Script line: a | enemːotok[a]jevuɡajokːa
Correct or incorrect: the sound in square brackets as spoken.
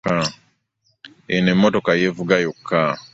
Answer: correct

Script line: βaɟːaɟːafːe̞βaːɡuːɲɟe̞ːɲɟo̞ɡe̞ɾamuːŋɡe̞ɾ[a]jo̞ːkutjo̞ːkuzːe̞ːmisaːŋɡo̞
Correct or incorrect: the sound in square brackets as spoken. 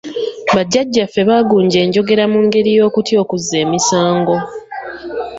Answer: incorrect: i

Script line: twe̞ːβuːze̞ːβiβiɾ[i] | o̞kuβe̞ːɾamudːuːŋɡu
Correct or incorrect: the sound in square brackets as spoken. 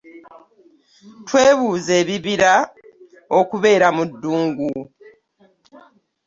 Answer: incorrect: a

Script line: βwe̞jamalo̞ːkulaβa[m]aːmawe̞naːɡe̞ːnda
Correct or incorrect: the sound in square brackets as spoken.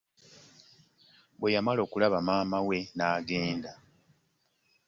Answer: correct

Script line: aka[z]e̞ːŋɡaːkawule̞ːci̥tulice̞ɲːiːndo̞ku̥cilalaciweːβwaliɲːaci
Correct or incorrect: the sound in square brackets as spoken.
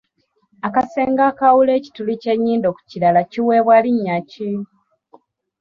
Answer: incorrect: s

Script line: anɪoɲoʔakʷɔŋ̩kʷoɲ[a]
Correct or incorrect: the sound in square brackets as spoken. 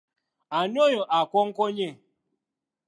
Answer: incorrect: e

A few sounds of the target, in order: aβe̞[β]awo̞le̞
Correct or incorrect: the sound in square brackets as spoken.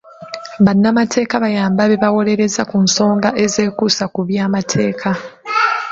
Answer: correct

